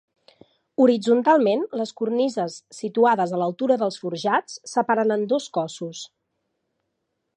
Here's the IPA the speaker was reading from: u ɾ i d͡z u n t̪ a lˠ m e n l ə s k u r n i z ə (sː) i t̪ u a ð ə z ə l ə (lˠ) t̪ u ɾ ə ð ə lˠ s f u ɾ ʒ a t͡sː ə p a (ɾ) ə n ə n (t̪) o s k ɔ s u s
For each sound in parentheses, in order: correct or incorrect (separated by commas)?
correct, correct, correct, incorrect